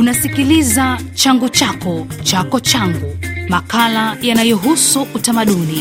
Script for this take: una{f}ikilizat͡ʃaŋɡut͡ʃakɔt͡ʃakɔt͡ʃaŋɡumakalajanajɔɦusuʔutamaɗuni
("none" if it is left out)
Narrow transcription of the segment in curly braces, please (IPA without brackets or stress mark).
s